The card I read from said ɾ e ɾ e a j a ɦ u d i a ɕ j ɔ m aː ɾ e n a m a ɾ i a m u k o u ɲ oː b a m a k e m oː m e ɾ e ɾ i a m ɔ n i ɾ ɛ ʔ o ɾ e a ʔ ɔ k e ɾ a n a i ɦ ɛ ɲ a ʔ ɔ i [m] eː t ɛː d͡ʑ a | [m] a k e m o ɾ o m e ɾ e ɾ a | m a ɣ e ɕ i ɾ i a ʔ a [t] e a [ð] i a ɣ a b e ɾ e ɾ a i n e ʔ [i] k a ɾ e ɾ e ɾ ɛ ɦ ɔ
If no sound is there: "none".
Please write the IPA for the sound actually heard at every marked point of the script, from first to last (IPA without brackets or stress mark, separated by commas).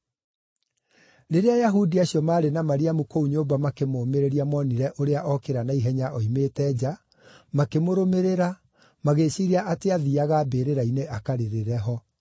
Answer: m, m, t, ð, a